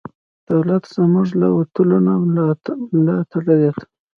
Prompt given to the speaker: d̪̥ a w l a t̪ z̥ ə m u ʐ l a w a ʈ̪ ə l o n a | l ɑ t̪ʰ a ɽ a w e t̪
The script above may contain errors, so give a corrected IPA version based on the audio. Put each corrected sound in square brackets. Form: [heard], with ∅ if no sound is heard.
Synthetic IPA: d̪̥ a w l a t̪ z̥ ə m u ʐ l a w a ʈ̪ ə l o n a | l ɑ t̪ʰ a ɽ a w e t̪